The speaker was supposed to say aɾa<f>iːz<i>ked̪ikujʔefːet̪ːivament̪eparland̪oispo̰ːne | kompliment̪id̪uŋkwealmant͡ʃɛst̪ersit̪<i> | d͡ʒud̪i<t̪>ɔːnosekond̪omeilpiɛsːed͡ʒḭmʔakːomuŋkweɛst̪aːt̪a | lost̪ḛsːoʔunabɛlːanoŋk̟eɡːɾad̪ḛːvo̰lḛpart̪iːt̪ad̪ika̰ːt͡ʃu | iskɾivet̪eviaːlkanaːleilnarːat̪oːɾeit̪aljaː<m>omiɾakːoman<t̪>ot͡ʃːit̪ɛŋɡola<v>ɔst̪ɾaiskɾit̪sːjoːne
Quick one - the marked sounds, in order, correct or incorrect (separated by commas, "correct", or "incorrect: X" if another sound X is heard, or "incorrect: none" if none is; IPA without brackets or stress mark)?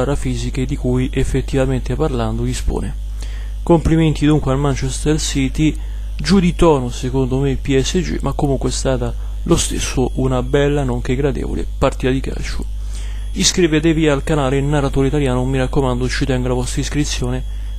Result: correct, correct, correct, correct, incorrect: n, incorrect: d̪, correct